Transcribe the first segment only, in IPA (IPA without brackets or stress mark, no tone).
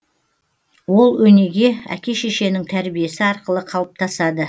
w